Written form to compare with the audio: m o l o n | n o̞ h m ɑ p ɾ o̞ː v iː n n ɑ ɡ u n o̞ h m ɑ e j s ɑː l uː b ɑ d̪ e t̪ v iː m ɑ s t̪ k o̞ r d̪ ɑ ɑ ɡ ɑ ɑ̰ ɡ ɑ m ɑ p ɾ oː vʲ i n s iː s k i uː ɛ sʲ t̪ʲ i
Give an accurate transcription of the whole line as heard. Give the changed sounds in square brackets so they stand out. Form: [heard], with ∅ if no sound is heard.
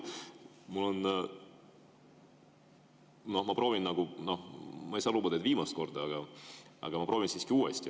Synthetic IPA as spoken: m [u] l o n | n o̞ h m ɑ p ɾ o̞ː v [i] n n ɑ ɡ u n o̞ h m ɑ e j s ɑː l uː b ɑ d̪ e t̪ v iː m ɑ s t̪ k o̞ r d̪ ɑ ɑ ɡ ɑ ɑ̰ ɡ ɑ m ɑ p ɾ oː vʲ i n s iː s k i uː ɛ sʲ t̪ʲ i